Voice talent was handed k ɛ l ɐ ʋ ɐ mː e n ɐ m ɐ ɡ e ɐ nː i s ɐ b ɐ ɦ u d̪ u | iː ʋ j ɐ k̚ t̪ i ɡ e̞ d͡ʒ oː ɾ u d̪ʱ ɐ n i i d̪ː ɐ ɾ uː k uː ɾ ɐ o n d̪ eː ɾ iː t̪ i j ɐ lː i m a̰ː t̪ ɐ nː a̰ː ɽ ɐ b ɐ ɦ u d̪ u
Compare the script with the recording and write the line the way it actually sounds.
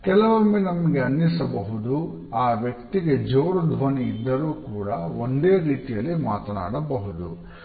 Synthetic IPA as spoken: k ɛ l ɐ ʋ ɐ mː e n ɐ m ɐ ɡ e ɐ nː i s ɐ b ɐ ɦ u d̪ u | aː ʋ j ɐ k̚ t̪ i ɡ e̞ d͡ʒ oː ɾ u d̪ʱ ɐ n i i d̪ː ɐ ɾ uː k uː ɽ ɐ o n d̪ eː ɾ iː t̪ i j ɐ lː i m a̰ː t̪ ɐ n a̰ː ɽ ɐ b ɐ ɦ u d̪ u